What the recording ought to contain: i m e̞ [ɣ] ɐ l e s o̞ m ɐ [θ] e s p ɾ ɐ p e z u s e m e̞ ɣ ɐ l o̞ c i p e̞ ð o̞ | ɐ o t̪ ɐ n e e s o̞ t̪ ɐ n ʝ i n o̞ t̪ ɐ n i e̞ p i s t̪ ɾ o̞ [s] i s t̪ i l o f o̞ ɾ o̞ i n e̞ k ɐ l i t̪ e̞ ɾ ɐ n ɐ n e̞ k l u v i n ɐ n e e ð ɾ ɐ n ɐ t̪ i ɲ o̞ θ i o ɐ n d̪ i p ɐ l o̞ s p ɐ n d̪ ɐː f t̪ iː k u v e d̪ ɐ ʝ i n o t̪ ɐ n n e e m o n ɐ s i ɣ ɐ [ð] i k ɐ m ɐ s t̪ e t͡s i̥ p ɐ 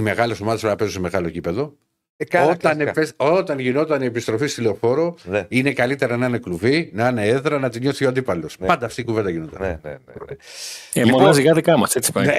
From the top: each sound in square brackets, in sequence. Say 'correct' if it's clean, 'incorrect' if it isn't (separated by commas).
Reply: correct, incorrect, incorrect, correct